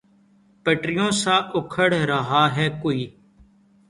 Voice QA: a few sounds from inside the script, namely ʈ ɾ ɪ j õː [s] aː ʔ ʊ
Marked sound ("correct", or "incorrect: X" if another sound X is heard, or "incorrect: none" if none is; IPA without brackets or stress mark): correct